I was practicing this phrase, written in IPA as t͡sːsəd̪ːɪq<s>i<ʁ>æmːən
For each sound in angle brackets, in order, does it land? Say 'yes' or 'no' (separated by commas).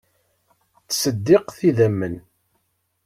no, no